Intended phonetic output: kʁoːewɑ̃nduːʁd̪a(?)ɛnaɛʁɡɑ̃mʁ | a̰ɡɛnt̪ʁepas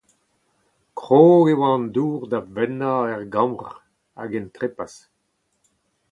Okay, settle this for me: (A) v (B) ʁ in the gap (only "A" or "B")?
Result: A